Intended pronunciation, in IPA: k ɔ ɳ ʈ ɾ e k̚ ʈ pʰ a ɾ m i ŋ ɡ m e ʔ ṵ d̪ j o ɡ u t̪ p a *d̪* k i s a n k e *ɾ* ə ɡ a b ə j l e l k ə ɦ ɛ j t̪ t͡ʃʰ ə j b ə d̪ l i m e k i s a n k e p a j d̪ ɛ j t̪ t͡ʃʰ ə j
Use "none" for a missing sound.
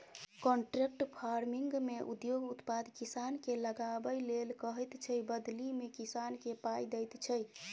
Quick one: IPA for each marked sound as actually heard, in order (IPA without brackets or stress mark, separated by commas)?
d̪, l